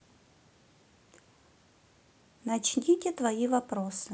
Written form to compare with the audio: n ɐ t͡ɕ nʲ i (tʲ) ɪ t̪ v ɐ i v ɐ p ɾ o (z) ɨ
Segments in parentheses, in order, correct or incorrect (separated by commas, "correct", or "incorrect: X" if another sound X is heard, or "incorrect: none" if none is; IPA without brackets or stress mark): correct, incorrect: s